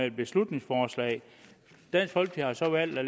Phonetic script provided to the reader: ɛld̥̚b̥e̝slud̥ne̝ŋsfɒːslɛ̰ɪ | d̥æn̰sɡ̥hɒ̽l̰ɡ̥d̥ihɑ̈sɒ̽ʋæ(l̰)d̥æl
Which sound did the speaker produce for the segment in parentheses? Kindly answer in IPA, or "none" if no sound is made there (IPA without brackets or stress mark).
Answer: l̰